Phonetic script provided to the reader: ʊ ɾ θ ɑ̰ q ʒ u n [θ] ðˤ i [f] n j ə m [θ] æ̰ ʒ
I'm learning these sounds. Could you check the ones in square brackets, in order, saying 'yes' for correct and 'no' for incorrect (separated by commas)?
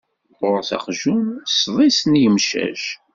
no, no, no